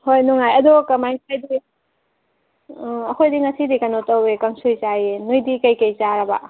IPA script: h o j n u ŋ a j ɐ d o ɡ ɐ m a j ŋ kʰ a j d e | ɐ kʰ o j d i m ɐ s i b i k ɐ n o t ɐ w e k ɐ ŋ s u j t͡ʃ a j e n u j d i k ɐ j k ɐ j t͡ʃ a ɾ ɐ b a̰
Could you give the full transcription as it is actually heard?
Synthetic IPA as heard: h o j n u ŋ a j ɐ d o k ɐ m a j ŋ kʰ a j d i | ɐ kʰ o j d i ŋ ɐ s i d i k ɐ n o t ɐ w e k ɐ ŋ s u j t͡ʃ a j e n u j d i k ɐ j k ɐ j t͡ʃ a ɾ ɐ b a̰